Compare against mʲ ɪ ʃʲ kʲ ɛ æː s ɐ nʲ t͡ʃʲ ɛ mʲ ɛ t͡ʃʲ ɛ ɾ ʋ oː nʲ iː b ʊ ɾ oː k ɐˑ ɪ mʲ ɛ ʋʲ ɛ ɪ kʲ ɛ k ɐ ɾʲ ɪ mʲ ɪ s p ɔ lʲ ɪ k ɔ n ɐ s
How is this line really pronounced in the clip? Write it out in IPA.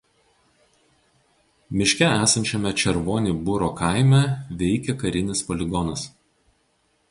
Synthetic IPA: mʲ ɪ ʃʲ kʲ ɛ æː s ɐ nʲ t͡ʃʲ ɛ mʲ ɛ t͡ʃʲ ɛ ɾ ʋ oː nʲ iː b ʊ ɾ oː k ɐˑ ɪ mʲ ɛ ʋʲ ɛ ɪ kʲ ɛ k ɐ ɾʲ ɪ nʲ ɪ s p ɔ lʲ ɪ ɡ ɔ n ɐ s